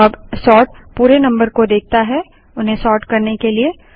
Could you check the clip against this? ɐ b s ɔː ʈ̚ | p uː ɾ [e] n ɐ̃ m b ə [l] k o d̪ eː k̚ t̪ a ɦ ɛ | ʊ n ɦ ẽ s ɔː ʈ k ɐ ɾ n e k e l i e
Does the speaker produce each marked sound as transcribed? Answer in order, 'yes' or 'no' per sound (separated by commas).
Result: yes, no